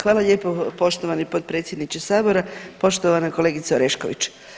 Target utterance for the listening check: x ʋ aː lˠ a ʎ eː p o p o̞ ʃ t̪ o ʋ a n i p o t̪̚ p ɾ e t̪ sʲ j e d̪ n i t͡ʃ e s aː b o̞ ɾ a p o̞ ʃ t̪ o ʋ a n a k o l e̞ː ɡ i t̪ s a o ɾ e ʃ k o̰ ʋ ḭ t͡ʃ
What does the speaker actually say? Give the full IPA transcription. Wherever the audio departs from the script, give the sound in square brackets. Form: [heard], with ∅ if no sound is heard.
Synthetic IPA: x ʋ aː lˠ a ʎ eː p o p o̞ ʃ t̪ o ʋ a n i p o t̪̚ p ɾ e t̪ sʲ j e d̪ n i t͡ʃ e s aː b o̞ ɾ a p o̞ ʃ t̪ o ʋ a n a k o l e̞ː ɡ i t̪ s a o ɾ e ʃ k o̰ ʋ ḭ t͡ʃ